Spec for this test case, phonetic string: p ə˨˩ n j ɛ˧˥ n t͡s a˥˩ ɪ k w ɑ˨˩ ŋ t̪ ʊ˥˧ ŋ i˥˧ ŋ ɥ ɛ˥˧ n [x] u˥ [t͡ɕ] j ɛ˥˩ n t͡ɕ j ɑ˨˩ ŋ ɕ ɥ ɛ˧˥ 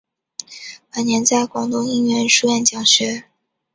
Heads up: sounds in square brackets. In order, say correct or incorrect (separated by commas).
incorrect, incorrect